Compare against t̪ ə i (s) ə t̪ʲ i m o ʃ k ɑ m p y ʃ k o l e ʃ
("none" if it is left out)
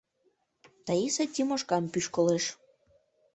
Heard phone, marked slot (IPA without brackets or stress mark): s